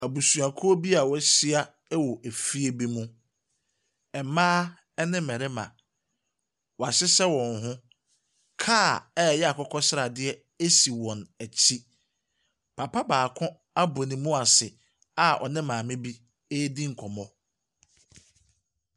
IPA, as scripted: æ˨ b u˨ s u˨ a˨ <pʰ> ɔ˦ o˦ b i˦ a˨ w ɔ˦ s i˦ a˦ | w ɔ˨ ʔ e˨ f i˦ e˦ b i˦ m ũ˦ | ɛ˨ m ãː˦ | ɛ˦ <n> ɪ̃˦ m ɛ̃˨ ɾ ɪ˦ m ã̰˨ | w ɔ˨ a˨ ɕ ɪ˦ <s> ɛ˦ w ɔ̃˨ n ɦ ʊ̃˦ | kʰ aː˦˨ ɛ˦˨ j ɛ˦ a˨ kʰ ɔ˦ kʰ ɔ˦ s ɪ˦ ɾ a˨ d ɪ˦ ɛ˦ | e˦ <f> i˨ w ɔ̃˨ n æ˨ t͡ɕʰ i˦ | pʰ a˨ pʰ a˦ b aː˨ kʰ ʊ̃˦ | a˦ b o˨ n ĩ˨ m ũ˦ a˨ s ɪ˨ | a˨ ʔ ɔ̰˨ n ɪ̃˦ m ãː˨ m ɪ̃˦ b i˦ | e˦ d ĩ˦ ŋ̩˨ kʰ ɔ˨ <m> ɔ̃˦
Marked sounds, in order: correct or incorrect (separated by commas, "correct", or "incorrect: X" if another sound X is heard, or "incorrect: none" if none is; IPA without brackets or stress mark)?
incorrect: kʰ, correct, correct, incorrect: s, correct